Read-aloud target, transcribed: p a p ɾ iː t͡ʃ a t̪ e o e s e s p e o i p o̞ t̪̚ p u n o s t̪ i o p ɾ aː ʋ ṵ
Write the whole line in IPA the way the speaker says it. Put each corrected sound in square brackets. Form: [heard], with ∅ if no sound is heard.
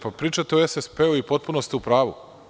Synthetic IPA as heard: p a p ɾ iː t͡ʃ a t̪ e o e s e s p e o i p o̞ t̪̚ p u n o s t̪ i [u] p ɾ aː ʋ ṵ